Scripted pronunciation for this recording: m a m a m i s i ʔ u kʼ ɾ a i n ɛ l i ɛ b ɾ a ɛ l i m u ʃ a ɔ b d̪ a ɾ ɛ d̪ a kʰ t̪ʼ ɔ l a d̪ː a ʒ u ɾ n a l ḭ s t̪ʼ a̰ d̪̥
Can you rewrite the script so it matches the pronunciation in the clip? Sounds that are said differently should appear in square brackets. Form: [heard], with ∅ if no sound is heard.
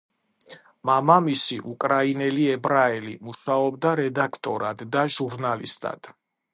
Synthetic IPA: m a m a m i s i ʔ u kʼ ɾ a i n ɛ l i ɛ b ɾ a ɛ l i m u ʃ a ɔ b d̪ a ɾ ɛ d̪ a kʰ t̪ʼ ɔ [ɾ] a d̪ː a ʒ u ɾ n a l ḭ s t̪ʼ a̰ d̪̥